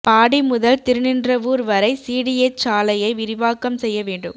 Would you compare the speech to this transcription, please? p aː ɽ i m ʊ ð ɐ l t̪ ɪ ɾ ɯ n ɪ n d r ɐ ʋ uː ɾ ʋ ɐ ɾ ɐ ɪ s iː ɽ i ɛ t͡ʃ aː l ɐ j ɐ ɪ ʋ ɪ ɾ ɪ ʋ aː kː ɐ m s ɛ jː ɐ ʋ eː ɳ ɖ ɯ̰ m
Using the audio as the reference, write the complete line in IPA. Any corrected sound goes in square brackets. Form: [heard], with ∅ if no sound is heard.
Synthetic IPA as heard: p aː ɽ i m ʊ ð ɐ l t̪ ɪ ɾ ɯ n ɪ n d r ɐ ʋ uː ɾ ʋ ɐ ɾ ɐ ɪ s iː ɽ i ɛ t͡ʃ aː l ɐ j ɐ ɪ ʋ ɪ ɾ ɪ ʋ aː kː ɐ m s ɛ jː ɐ ʋ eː ɳ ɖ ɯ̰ m